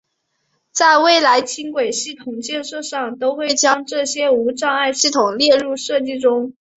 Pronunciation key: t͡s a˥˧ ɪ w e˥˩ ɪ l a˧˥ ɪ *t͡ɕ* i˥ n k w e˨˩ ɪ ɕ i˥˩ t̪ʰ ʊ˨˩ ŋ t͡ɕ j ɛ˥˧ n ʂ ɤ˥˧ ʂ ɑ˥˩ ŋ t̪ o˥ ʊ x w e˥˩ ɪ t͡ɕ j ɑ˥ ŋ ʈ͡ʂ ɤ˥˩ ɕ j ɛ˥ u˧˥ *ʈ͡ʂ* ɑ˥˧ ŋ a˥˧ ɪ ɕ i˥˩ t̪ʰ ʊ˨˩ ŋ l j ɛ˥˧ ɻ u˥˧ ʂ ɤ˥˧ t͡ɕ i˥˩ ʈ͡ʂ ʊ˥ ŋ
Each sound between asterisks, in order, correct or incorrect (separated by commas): incorrect, correct